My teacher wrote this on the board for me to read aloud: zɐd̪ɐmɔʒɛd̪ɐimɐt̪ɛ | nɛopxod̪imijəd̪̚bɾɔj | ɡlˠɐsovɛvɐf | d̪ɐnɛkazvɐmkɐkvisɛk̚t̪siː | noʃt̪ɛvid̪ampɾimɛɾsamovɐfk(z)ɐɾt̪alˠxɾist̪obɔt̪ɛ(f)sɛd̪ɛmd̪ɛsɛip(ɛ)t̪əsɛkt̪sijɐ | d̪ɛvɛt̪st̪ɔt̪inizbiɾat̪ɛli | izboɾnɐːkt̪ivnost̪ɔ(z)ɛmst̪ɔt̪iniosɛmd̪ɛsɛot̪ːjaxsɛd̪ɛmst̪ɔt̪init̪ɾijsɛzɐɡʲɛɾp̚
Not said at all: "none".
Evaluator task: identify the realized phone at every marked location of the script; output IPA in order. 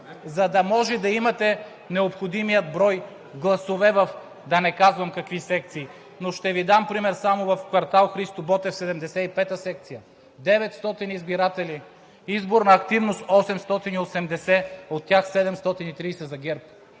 v, f, ɛ, s

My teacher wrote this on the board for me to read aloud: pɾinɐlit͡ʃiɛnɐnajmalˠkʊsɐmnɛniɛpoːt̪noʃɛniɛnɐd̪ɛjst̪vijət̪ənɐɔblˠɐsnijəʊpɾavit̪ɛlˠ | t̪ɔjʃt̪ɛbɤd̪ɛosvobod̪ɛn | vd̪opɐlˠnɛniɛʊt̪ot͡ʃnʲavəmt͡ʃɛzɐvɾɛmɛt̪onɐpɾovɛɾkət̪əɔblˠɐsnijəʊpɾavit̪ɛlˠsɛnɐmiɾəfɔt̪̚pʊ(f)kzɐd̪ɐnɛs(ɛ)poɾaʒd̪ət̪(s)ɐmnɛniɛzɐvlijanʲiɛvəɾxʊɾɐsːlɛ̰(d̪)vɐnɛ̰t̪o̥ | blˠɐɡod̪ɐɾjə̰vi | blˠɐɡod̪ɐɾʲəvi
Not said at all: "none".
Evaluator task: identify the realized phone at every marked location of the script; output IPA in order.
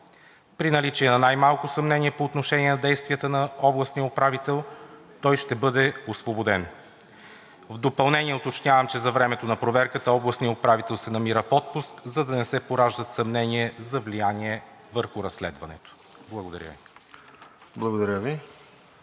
s, ɛ, s, d̪

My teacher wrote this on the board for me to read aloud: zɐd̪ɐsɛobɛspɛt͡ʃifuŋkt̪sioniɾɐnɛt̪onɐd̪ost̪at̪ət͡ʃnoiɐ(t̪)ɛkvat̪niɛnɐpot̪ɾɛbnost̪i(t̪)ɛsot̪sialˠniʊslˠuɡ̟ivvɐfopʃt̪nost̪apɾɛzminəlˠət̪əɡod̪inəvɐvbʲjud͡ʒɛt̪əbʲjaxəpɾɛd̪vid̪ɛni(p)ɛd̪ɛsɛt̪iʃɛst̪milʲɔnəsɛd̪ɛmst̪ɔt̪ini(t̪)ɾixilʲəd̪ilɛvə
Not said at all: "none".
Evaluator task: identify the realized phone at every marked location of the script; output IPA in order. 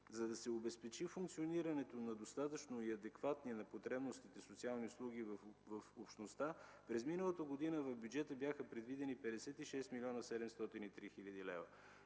d̪, t̪, p, t̪

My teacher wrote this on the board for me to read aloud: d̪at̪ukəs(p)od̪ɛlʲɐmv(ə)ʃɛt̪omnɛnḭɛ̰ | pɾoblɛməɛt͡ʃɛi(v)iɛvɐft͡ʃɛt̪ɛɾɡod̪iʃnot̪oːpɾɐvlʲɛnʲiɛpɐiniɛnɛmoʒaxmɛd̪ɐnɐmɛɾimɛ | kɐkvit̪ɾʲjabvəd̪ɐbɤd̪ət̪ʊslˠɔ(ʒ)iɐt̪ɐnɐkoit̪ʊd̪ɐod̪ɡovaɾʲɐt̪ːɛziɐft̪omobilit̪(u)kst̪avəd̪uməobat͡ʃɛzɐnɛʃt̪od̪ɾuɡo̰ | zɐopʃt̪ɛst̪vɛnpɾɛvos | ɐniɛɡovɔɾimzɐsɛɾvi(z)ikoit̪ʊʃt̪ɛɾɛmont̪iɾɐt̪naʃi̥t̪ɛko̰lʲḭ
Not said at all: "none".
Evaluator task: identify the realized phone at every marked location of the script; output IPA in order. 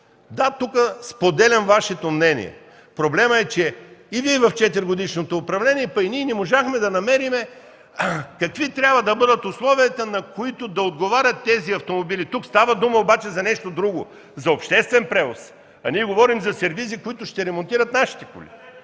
p, a, v, v, u, z

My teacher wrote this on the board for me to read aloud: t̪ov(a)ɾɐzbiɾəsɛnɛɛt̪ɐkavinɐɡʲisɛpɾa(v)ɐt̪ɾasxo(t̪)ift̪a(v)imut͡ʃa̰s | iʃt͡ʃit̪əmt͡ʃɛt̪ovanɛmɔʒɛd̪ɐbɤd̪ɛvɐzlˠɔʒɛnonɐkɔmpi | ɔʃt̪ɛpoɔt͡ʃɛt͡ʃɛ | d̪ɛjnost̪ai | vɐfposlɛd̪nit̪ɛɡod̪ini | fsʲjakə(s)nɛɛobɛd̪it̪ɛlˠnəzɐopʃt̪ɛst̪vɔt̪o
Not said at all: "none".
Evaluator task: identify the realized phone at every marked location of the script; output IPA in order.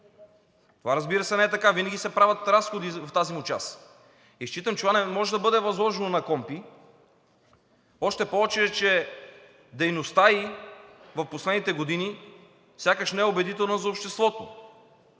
a, v, d̪, z, ʃ

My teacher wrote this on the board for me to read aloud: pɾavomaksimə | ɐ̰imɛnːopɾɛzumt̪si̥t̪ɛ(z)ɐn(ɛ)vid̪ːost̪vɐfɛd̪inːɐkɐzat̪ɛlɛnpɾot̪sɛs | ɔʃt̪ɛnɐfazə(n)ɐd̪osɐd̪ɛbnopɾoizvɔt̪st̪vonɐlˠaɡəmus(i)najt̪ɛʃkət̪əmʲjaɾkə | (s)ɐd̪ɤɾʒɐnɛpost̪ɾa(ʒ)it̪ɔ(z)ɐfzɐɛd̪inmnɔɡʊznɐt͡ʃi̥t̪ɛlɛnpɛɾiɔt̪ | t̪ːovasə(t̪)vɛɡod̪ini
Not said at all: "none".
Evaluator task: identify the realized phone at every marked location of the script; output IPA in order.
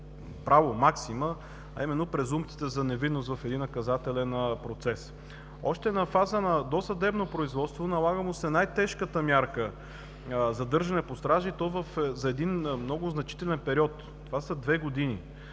z, ɛ, n, ɛ, z, ʒ, v, d̪

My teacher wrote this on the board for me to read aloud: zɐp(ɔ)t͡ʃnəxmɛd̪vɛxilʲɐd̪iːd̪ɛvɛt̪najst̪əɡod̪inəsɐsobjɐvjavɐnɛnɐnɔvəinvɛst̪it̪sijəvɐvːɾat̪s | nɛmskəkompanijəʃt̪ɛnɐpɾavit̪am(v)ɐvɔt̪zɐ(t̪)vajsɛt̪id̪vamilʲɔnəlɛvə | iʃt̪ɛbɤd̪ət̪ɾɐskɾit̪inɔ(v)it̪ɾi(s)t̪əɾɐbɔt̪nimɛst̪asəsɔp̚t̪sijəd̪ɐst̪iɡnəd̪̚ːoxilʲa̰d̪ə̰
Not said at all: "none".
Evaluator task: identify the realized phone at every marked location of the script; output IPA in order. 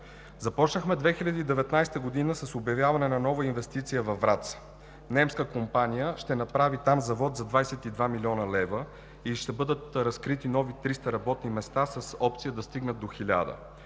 ɔ, z, d̪, v, s

